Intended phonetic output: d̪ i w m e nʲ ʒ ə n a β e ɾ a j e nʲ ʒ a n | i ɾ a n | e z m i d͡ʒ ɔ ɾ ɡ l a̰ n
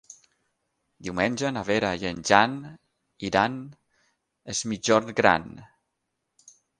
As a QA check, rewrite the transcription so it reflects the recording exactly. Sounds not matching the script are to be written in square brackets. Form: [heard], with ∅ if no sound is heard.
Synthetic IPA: d̪ i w m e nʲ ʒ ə n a β e ɾ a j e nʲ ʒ a n | i ɾ a n | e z m i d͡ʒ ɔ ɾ ɡ [ɾ] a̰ n